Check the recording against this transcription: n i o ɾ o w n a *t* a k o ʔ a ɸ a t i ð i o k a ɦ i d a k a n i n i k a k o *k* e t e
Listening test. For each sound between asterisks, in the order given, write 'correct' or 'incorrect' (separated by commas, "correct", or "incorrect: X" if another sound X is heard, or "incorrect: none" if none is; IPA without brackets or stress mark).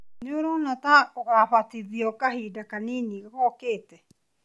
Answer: correct, correct